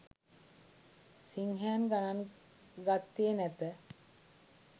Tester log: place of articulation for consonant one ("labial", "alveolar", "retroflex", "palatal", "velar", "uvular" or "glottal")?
alveolar